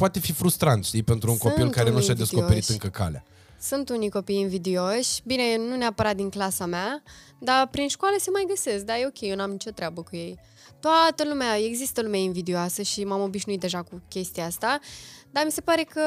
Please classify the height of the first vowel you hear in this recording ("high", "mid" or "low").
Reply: low